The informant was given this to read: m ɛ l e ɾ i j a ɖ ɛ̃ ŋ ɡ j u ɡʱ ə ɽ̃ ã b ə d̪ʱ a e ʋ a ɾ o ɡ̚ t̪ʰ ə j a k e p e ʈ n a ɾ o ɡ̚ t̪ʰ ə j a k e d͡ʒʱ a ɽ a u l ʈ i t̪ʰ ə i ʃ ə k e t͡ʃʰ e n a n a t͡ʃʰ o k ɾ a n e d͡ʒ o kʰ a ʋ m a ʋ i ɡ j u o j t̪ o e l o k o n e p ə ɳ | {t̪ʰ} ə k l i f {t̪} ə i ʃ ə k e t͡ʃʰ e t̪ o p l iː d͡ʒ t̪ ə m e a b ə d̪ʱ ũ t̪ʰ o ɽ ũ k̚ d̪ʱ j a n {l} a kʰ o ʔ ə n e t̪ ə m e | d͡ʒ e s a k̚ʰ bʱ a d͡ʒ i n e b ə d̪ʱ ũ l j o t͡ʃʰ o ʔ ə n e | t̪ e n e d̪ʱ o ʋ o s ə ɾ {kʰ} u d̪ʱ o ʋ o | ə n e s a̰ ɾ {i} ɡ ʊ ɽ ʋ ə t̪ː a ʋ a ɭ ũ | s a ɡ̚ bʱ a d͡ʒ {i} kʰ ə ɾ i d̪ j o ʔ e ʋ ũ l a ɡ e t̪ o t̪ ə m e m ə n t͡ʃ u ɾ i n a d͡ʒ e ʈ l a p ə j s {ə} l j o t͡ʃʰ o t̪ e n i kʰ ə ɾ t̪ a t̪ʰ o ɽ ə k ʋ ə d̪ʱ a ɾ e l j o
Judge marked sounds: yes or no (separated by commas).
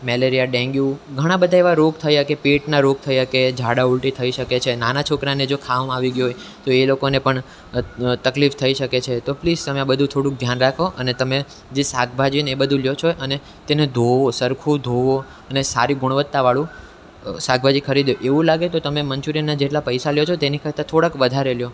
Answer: no, no, no, yes, yes, yes, no